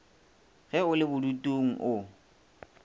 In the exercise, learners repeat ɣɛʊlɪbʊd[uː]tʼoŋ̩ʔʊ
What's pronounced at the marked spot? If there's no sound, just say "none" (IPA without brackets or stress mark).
u